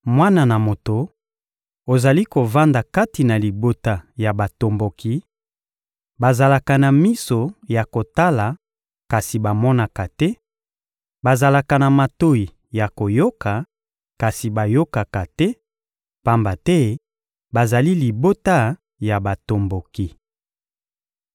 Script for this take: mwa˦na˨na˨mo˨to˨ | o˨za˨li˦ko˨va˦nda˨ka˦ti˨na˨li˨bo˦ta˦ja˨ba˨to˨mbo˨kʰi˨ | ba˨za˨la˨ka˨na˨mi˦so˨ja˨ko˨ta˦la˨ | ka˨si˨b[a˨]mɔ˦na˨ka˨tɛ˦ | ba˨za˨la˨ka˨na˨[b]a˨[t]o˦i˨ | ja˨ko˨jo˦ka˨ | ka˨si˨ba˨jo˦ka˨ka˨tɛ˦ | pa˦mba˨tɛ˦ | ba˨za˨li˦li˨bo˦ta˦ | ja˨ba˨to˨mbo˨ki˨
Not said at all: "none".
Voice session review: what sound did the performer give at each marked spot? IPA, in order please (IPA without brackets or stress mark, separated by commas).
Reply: a˨, m, t